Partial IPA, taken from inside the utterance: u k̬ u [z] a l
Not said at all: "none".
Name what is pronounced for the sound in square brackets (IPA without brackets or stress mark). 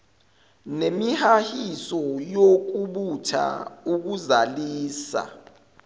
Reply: z